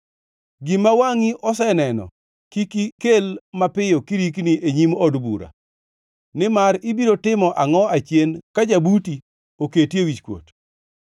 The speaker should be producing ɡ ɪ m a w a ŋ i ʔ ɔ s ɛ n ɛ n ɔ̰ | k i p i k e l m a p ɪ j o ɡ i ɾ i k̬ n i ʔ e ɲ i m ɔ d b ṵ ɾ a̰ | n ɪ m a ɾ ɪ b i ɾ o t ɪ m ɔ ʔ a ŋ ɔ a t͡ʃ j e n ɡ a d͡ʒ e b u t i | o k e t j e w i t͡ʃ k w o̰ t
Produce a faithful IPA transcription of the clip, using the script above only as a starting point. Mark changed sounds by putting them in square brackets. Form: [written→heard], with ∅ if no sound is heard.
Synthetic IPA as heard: ɡ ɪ m a w a ŋ i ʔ ɔ s ɛ n ɛ n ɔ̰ | k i [p→k] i k e l m a p ɪ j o [ɡ→k] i ɾ i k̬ n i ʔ e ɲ i m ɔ d b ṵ ɾ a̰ | n ɪ m a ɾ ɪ b i ɾ o t ɪ m ɔ ʔ a ŋ ɔ a t͡ʃ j e n [ɡ→k] a d͡ʒ [e→a] b u t i | o k e t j e w i t͡ʃ k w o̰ t